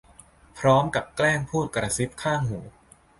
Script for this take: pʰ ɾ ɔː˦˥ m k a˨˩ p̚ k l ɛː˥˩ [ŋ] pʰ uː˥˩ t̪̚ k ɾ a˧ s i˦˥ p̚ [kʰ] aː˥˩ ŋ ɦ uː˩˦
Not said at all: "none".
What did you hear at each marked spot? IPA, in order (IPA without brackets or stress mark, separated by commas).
ŋ, kʰ